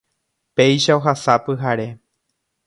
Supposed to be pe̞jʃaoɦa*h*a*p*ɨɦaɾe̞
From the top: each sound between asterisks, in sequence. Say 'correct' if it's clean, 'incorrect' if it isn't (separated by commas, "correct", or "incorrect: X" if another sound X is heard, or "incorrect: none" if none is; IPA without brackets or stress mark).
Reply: incorrect: s, correct